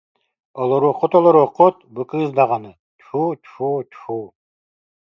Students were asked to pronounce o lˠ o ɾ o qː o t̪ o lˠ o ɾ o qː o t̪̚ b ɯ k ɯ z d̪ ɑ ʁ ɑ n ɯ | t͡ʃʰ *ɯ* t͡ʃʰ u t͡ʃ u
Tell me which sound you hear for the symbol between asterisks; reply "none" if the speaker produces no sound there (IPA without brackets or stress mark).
u